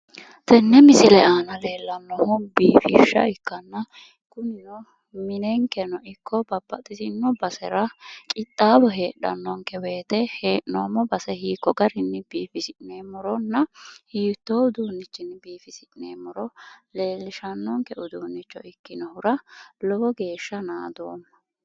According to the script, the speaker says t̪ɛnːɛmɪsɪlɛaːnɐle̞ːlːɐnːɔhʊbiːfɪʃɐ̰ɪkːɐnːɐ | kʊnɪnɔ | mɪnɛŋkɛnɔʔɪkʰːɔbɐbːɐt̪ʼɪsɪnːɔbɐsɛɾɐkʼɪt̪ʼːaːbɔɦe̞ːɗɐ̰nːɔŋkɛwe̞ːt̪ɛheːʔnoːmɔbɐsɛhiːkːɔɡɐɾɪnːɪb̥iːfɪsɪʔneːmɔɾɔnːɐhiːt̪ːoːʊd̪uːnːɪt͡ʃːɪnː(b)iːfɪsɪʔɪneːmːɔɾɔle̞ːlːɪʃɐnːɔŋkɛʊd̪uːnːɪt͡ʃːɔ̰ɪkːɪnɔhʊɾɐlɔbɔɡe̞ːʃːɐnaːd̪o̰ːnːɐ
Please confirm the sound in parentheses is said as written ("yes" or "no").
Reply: yes